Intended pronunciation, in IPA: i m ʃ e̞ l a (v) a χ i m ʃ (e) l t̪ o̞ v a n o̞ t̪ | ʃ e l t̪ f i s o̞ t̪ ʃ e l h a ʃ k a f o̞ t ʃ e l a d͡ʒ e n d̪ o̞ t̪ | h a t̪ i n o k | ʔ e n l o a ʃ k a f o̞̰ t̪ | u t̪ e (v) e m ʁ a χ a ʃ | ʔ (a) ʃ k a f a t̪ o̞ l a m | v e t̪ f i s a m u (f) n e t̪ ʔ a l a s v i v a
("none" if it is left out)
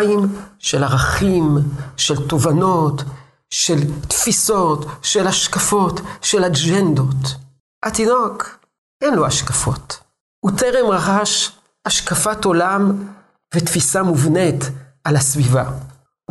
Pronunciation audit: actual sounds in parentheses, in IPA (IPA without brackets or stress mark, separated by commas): ʁ, e, ʁ, a, v